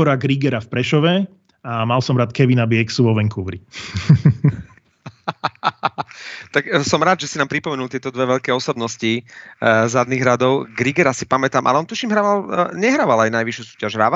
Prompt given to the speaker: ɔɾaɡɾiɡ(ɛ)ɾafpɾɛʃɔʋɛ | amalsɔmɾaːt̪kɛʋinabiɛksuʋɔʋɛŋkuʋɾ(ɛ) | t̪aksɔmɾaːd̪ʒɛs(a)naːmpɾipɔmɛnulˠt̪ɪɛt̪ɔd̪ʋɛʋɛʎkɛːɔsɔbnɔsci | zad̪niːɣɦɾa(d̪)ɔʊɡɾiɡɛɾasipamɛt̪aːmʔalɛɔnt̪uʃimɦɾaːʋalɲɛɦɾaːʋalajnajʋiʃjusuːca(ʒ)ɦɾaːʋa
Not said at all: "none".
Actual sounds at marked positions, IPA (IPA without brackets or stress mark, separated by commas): ɛ, i, i, d̪, ʒ